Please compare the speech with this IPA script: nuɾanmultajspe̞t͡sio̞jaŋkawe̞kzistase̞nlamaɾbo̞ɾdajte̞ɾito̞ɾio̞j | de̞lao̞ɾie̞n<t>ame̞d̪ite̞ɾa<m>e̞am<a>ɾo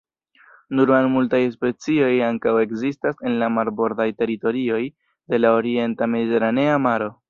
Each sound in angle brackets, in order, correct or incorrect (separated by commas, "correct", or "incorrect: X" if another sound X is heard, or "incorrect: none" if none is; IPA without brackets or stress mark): correct, incorrect: n, correct